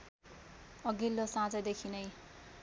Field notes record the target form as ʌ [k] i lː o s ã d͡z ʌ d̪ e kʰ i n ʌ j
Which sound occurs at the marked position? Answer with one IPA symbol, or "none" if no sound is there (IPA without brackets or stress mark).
ɡ